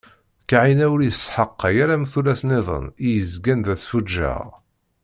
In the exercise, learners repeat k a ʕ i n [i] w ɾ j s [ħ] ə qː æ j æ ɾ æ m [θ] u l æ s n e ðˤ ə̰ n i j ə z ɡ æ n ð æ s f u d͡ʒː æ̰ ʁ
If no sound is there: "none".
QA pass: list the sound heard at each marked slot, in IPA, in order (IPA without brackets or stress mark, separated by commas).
æ, ħ, θ